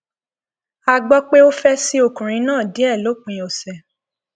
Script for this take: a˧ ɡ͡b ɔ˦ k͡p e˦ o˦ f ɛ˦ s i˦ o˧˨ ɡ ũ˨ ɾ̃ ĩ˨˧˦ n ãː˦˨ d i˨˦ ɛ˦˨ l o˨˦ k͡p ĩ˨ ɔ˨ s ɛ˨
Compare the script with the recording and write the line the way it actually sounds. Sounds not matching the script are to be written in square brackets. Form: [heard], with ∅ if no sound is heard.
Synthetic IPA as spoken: a˧ ɡ͡b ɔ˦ k͡p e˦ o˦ f ɛ˦ s i˦ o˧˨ [k] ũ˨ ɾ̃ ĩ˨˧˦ n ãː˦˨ d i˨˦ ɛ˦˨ l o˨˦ k͡p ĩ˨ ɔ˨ s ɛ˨